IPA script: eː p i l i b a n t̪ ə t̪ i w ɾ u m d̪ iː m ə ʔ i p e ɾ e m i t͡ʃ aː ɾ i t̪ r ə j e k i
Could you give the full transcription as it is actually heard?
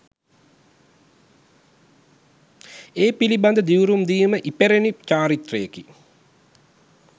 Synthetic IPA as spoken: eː p i l i b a n d̪ ə d̪ i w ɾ u m d̪ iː m ə ʔ i p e ɾ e n i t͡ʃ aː ɾ i t̪ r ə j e k i